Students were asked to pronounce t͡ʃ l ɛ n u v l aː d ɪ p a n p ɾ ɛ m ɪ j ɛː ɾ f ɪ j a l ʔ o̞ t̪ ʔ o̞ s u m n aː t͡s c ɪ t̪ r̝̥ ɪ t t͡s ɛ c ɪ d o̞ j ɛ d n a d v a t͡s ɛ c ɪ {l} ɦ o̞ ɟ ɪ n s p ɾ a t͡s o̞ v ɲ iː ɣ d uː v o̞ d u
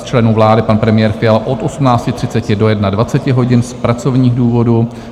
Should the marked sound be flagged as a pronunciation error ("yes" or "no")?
yes